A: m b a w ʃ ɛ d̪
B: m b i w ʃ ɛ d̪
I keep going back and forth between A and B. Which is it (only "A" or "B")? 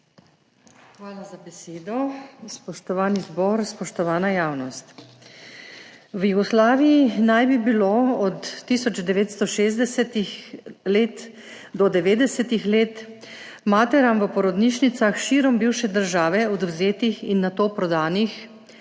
B